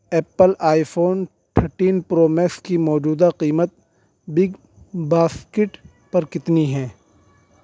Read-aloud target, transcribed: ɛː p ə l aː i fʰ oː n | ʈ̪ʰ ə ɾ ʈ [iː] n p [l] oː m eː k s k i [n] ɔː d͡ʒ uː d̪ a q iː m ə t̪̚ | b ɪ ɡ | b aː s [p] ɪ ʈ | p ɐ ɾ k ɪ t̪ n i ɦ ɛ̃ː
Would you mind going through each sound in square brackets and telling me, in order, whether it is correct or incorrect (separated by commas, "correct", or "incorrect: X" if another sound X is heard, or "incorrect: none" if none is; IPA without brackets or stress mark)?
correct, incorrect: ɾ, incorrect: m, incorrect: k